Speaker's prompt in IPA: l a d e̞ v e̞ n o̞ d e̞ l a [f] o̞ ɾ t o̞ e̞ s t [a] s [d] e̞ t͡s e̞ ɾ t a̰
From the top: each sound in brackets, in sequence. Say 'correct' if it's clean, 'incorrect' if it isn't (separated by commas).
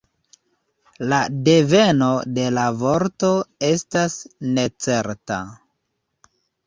incorrect, correct, incorrect